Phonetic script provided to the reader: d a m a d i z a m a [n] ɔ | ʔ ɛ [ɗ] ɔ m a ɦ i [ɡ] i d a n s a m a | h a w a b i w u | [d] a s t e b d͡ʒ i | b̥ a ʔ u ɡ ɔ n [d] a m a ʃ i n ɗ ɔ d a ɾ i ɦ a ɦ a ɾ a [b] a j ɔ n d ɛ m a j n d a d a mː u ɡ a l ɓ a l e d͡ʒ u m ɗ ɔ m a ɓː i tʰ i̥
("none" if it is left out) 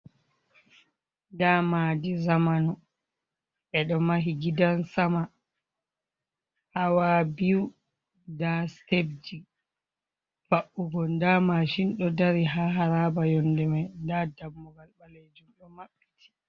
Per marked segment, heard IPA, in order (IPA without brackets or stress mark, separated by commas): n, ɗ, ɡ, d, d, b